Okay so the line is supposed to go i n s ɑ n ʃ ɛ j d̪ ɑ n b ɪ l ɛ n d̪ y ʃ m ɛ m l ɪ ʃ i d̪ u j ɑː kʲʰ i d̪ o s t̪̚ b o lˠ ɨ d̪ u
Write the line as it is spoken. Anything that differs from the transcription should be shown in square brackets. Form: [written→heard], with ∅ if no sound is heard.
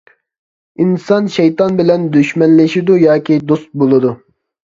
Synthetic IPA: i n s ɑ n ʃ ɛ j [d̪→t̪] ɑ n b ɪ l ɛ n d̪ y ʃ m ɛ [m→n] l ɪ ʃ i d̪ u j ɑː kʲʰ i d̪ o s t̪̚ b o lˠ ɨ d̪ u